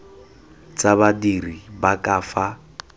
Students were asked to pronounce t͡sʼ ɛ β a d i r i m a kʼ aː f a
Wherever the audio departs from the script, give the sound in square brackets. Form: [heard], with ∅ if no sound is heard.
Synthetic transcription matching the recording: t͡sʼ [a] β a d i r i [b] a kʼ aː f a